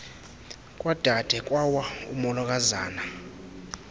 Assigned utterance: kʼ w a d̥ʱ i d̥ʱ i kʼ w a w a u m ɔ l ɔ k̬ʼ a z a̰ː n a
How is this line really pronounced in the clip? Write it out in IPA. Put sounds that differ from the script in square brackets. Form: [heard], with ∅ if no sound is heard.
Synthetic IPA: kʼ w a d̥ʱ [a] d̥ʱ [ɛ] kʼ w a w a u m ɔ l ɔ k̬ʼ a z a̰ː n a